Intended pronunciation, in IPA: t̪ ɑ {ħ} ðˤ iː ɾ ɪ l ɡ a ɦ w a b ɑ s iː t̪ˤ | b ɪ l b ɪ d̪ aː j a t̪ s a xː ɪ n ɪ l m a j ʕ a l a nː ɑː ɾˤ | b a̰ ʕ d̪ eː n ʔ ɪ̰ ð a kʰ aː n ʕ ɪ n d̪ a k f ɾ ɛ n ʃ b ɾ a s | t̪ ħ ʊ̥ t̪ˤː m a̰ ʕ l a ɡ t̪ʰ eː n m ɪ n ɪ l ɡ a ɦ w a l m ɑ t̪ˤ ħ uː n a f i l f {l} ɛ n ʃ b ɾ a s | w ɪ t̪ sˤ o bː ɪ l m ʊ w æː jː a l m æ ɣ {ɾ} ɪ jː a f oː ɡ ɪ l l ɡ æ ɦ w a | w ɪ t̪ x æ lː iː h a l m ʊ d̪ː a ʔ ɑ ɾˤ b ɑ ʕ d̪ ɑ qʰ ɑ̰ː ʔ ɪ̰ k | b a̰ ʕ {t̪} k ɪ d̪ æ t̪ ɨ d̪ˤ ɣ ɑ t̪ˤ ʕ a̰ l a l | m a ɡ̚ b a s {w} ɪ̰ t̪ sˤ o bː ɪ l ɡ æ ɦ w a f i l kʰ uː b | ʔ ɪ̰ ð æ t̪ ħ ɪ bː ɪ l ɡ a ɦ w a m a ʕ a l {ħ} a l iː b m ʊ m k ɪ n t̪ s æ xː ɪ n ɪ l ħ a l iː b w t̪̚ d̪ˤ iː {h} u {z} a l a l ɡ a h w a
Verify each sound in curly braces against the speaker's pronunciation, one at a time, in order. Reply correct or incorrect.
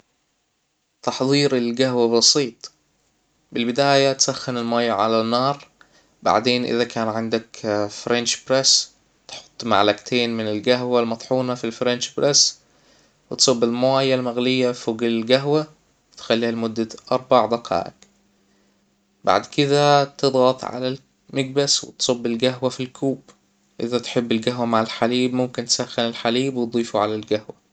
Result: correct, incorrect: ɾ, incorrect: l, incorrect: d̪, correct, correct, incorrect: f, incorrect: ʕ

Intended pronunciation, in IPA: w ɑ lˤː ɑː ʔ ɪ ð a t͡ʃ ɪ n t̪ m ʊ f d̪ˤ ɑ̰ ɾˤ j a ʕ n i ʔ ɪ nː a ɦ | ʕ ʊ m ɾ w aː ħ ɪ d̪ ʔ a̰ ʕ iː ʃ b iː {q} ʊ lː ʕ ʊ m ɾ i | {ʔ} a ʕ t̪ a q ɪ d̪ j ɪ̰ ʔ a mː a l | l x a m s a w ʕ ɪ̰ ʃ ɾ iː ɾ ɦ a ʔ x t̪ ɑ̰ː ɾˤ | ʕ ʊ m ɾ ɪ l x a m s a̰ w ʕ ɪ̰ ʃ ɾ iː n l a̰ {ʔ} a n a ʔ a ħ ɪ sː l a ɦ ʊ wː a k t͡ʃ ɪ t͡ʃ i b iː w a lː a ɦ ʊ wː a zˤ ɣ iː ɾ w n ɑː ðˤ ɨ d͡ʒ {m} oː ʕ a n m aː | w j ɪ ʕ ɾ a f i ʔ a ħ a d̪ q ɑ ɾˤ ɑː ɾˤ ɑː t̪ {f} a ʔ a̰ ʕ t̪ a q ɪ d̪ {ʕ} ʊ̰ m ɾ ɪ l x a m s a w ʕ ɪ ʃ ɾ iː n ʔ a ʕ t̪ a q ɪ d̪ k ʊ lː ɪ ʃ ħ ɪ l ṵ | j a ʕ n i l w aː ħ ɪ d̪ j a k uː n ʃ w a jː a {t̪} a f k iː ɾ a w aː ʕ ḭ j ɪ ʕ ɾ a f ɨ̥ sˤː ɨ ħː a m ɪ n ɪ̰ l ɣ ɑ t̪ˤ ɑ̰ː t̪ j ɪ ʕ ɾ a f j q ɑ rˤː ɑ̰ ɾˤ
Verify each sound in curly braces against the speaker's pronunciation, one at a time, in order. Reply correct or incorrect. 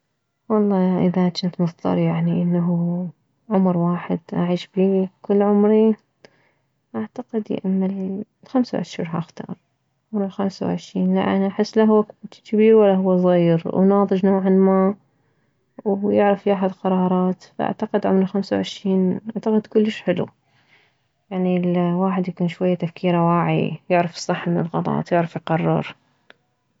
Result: incorrect: k, correct, correct, incorrect: n, correct, correct, correct

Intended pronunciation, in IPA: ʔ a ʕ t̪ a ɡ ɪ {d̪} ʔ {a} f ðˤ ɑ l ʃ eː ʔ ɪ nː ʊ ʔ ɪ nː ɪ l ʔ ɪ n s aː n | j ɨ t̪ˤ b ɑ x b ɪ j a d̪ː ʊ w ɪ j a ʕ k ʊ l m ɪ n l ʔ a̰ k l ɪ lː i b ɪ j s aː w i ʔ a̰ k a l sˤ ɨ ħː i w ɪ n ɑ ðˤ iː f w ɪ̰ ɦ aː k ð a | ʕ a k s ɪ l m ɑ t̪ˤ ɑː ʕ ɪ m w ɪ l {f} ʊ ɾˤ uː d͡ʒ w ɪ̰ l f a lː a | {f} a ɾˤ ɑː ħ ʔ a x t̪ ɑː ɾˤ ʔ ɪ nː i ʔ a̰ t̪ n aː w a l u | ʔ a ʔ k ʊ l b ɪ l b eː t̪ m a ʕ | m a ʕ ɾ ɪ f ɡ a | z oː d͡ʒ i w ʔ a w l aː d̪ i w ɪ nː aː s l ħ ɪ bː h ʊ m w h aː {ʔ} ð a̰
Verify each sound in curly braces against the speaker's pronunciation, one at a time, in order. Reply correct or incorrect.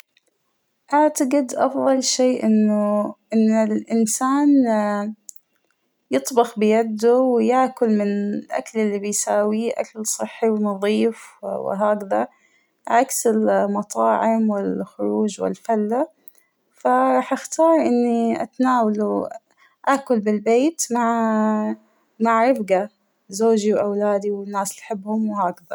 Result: correct, incorrect: ɑ, incorrect: x, correct, incorrect: k

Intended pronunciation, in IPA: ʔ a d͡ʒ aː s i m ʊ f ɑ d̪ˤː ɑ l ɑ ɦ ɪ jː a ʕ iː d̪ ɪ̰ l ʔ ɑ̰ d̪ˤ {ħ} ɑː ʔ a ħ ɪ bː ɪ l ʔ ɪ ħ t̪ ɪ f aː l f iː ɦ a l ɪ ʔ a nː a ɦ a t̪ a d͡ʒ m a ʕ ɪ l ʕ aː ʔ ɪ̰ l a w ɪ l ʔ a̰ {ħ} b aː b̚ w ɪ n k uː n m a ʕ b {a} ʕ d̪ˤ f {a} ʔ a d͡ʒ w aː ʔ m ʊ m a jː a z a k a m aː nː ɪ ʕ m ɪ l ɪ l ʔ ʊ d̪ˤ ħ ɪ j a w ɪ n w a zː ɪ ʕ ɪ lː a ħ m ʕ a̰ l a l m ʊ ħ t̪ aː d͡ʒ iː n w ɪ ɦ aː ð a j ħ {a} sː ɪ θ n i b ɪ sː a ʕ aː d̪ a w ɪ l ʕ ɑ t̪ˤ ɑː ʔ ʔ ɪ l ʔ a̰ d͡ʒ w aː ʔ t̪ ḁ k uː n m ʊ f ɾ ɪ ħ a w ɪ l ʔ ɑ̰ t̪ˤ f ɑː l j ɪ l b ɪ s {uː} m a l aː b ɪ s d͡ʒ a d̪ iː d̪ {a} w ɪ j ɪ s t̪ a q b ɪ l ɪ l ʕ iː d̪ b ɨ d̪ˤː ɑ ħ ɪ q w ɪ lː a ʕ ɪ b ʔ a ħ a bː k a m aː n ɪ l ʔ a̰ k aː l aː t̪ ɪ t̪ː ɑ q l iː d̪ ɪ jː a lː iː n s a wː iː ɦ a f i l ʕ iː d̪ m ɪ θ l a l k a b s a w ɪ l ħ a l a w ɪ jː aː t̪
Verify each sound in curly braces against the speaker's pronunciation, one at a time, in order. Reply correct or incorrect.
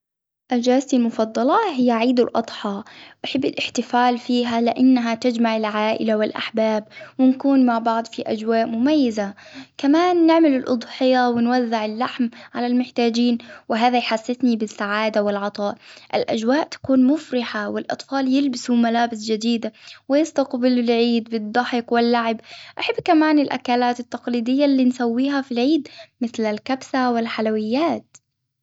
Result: correct, correct, incorrect: ɑ, incorrect: i, correct, incorrect: u, correct

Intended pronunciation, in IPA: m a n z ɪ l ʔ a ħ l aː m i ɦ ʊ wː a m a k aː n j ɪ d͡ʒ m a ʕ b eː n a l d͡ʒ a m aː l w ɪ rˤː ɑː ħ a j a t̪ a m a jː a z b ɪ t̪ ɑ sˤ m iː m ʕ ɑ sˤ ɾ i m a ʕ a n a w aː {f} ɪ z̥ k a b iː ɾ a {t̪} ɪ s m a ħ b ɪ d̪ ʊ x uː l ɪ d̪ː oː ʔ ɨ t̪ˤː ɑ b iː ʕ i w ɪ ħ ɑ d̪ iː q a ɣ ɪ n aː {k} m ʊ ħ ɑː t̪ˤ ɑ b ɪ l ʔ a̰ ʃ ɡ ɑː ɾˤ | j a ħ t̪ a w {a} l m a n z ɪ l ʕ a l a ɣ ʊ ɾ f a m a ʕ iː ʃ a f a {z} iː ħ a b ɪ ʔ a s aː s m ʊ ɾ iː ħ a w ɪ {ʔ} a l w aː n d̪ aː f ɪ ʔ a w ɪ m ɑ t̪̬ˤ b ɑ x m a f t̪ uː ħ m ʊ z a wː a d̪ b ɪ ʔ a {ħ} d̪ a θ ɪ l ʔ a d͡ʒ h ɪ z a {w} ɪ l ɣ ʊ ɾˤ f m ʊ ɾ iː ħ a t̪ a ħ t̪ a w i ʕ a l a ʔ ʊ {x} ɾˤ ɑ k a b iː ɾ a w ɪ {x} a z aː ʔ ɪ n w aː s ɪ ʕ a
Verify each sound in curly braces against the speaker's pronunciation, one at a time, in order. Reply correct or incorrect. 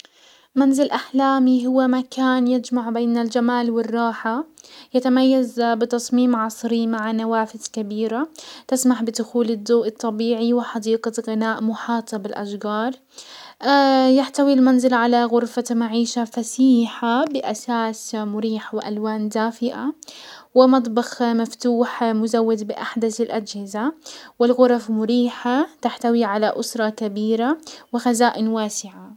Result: correct, correct, incorrect: ʔ, incorrect: i, incorrect: s, correct, correct, correct, incorrect: s, correct

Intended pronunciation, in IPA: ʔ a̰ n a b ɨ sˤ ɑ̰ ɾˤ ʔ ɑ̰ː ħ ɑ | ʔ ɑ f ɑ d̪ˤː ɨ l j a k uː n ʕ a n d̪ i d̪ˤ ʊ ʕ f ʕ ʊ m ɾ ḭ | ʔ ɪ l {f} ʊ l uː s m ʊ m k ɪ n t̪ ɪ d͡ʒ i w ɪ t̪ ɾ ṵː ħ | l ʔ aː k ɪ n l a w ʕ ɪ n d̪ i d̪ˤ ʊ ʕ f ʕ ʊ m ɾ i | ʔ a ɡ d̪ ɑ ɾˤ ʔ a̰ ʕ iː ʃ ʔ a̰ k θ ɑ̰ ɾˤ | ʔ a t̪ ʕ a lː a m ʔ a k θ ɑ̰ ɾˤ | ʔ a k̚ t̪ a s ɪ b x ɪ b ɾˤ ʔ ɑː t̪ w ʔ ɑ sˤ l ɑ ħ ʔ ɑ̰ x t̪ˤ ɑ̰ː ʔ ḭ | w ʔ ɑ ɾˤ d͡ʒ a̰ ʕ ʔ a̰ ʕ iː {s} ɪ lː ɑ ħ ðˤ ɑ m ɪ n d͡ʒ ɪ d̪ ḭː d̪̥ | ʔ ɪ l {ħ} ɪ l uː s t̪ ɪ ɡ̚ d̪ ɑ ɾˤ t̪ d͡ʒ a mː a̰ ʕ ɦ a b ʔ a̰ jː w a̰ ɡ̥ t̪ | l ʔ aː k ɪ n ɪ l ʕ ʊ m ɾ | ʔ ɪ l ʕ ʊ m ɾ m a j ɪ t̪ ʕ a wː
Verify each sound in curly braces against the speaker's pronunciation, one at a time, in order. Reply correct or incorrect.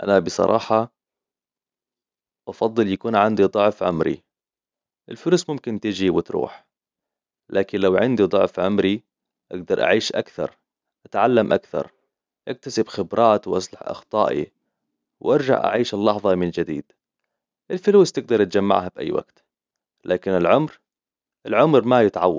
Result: correct, incorrect: ʃ, incorrect: f

